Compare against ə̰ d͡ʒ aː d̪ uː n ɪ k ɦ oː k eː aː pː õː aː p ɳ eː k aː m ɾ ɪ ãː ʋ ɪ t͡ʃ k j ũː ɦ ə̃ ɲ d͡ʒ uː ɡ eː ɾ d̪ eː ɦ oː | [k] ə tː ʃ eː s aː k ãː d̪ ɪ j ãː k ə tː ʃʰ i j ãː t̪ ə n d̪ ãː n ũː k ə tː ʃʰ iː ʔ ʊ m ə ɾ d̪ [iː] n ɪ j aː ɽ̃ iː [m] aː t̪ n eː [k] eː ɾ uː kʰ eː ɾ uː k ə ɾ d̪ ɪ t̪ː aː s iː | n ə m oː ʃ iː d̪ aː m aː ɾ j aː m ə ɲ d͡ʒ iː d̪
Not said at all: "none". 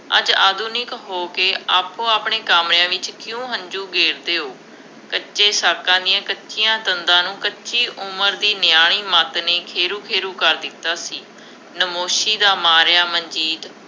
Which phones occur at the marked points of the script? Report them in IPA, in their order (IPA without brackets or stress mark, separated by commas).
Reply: k, iː, m, kʰ